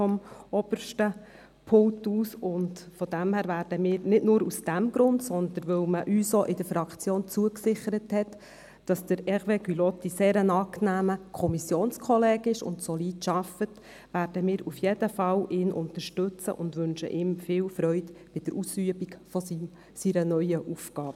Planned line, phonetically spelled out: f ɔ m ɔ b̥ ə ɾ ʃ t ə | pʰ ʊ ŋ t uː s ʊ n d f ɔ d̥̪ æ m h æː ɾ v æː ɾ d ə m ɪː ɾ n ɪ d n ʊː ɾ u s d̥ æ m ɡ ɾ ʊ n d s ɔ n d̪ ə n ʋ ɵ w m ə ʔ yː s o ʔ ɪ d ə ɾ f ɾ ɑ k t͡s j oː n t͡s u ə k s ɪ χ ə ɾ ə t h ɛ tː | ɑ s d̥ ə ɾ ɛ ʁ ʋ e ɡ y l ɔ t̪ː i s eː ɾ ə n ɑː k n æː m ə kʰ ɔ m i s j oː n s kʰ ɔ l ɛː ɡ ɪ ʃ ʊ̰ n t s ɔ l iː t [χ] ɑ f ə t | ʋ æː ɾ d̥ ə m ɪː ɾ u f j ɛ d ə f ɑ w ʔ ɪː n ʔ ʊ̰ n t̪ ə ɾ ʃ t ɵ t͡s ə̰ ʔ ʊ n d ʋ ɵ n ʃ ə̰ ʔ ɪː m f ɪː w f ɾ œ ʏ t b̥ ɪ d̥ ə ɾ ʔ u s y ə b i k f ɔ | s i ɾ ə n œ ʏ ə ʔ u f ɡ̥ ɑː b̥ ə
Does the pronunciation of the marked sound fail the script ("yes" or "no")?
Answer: yes